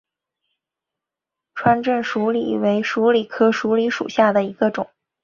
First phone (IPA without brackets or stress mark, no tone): ʈ͡ʂʰ